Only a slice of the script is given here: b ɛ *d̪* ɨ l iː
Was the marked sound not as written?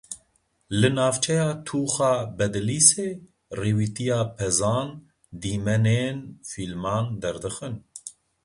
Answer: no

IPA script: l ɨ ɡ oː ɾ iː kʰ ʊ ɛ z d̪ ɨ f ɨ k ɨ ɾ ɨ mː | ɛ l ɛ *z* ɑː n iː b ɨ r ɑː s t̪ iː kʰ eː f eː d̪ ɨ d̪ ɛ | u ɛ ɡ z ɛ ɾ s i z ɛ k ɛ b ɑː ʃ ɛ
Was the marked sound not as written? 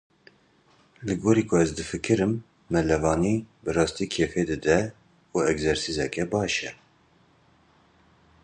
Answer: yes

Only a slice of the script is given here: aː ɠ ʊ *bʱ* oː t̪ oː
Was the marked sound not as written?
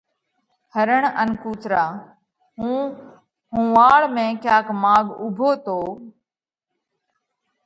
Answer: no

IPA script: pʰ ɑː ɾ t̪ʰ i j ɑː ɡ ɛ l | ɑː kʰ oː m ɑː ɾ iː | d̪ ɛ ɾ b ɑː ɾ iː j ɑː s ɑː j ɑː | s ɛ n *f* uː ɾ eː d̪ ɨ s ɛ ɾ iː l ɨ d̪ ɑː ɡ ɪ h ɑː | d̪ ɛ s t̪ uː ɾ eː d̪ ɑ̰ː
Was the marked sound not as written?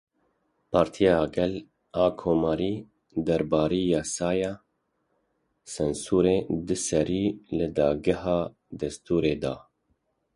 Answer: yes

